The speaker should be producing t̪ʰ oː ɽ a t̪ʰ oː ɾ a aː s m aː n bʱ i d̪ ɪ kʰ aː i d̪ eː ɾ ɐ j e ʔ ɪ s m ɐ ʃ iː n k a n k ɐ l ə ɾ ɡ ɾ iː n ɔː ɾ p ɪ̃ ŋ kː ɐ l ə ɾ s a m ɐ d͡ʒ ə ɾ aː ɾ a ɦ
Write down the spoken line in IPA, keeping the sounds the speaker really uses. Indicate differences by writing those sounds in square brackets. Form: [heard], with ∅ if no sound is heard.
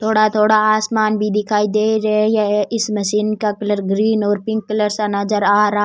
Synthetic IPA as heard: t̪ʰ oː ɽ a t̪ʰ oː [ɽ] a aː s m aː n bʱ i d̪ ɪ kʰ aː i d̪ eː ɾ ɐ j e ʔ ɪ s m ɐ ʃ iː n k a [∅] k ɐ l ə ɾ ɡ ɾ iː n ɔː ɾ p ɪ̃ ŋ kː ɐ l ə ɾ s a [n] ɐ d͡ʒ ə ɾ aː ɾ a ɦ

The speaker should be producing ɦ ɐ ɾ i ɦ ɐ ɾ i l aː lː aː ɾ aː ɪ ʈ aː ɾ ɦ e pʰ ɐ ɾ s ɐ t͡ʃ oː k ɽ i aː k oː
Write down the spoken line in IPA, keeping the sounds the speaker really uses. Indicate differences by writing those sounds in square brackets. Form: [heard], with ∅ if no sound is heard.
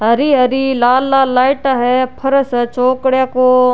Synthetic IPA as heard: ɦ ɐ ɾ i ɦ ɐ ɾ i l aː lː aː [l] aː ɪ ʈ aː [∅] ɦ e pʰ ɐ ɾ s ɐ t͡ʃ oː k ɽ [j] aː k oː

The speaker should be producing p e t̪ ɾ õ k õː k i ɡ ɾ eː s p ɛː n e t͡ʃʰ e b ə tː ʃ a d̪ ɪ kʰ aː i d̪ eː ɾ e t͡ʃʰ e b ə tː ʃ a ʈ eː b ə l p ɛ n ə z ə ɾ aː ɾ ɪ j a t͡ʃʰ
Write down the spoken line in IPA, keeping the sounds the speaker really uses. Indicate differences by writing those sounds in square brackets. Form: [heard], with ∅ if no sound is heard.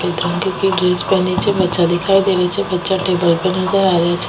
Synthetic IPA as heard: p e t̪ ɾ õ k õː k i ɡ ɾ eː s p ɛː n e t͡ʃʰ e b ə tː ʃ a d̪ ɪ kʰ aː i d̪ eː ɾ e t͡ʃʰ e b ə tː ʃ a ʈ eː b ə l p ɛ n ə z ə ɾ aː ɾ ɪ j a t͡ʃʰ

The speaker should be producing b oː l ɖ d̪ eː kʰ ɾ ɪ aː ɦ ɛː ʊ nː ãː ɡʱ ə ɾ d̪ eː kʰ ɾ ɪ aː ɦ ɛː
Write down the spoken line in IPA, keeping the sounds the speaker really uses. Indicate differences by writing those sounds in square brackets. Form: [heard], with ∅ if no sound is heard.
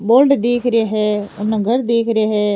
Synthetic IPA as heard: b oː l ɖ d̪ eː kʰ ɾ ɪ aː ɦ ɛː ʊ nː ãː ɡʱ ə ɾ d̪ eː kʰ ɾ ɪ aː ɦ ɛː

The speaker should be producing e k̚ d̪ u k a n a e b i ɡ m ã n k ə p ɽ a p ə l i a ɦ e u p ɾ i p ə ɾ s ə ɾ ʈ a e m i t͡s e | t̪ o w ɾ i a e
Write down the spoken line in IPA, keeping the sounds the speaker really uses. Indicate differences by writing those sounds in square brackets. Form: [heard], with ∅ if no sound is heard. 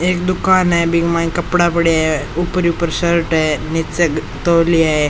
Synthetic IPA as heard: e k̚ d̪ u k a n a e b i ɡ m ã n k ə p ɽ a p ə [ɽ] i a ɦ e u p ɾ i p ə ɾ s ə ɾ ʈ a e [n] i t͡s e | t̪ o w [l] i a e

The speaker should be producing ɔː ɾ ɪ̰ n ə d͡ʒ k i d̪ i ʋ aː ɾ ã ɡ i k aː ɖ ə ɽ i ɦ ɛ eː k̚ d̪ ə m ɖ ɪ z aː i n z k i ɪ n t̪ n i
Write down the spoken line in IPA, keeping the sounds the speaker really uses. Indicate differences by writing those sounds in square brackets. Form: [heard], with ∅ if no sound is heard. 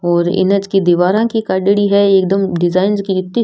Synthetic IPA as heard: ɔː ɾ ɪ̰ n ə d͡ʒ k i d̪ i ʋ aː ɾ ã [k] i k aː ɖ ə ɽ i ɦ ɛ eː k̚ d̪ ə m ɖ ɪ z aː [ɪ] n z k i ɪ [∅] t̪ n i

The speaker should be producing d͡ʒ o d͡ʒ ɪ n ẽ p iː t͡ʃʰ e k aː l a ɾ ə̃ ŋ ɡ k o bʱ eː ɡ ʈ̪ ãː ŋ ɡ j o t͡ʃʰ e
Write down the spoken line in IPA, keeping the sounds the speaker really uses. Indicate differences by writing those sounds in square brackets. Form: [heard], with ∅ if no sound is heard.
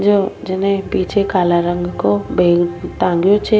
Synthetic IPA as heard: d͡ʒ o d͡ʒ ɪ n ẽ p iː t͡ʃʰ e k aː l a ɾ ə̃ ŋ ɡ k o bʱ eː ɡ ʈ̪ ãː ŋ ɡ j o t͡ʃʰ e

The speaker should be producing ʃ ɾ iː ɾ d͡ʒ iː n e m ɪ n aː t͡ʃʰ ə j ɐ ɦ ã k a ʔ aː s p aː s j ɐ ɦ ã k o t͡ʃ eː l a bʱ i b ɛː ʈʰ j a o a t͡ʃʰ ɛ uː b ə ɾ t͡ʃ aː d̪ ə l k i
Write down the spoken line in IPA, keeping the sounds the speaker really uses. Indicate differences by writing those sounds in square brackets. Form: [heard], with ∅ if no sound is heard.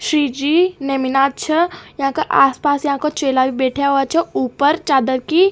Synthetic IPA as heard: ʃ ɾ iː [∅] d͡ʒ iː n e m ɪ n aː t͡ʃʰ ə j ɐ ɦ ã k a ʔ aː s p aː s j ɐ ɦ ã k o t͡ʃ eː l a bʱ i b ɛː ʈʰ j a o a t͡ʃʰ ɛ uː [p] ə ɾ t͡ʃ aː d̪ ə [ɾ] k i

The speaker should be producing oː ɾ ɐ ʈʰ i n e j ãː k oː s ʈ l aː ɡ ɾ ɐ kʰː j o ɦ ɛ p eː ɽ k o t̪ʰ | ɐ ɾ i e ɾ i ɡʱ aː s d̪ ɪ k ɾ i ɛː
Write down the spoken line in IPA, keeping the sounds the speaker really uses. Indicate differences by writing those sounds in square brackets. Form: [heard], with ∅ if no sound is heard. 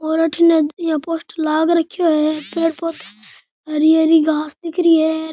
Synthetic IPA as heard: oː ɾ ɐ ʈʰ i n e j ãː [p] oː s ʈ l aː ɡ ɾ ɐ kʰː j o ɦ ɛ p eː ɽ [p] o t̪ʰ | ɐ ɾ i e ɾ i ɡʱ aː s d̪ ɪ k ɾ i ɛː

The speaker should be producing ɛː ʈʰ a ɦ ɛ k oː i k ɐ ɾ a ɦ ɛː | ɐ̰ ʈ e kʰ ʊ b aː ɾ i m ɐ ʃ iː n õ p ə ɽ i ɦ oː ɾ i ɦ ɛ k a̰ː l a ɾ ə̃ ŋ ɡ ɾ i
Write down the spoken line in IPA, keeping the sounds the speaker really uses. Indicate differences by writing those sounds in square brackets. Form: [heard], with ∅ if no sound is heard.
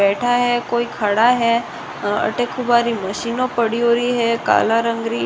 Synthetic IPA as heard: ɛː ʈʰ a ɦ ɛ k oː i [kʰ] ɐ [ɽ] a ɦ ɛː | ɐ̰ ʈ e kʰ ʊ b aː ɾ i m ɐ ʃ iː n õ p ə ɽ i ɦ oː ɾ i ɦ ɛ k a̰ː l a ɾ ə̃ ŋ ɡ ɾ i

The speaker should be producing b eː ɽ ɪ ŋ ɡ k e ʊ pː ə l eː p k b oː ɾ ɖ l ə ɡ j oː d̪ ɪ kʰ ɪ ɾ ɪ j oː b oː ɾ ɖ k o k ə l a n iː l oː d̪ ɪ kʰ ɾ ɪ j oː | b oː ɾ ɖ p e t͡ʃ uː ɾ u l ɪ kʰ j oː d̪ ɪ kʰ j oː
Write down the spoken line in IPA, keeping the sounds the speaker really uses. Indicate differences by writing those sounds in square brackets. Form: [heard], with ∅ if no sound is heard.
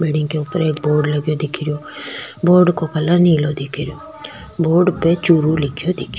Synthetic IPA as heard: b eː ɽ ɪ ŋ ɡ k e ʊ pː ə [ɾ] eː [∅] k b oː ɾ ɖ l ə ɡ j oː d̪ ɪ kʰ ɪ ɾ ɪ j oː b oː ɾ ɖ k o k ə l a n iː l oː d̪ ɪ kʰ ɾ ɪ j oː | b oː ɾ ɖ p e t͡ʃ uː ɾ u l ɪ kʰ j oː d̪ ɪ kʰ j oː

